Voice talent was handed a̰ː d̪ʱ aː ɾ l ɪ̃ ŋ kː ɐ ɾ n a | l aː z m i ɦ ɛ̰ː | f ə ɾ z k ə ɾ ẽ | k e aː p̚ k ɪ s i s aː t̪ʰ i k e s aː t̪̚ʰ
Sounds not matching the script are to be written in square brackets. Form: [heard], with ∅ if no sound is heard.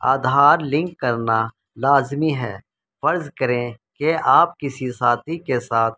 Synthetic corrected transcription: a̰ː d̪ʱ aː ɾ l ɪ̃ ŋ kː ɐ ɾ n a | l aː z m i ɦ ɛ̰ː | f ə ɾ z k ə ɾ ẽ | k e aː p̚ k ɪ s i s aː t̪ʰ i k e s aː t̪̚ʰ